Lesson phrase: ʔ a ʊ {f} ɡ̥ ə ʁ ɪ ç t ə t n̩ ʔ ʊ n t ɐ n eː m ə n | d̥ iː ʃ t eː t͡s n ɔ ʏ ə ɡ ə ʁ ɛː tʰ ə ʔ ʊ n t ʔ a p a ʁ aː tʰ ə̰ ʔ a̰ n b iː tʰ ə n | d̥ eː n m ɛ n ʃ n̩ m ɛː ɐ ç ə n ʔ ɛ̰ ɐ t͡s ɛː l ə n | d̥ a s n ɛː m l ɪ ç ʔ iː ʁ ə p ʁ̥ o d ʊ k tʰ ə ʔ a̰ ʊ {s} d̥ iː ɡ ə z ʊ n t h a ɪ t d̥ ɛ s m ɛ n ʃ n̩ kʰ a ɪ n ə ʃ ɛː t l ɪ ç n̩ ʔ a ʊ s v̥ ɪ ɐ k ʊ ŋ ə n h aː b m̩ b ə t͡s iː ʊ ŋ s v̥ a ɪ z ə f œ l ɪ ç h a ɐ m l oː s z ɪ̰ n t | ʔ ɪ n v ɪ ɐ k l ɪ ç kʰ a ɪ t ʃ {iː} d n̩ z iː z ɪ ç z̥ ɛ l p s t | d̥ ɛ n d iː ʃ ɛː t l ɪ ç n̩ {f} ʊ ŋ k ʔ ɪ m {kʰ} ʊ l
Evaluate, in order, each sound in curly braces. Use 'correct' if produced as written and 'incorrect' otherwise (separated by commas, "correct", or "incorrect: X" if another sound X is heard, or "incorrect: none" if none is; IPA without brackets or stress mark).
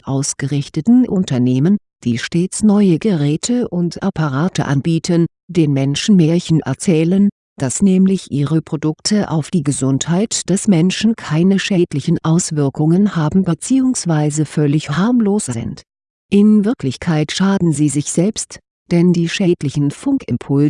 incorrect: s, incorrect: f, incorrect: aː, correct, incorrect: pʰ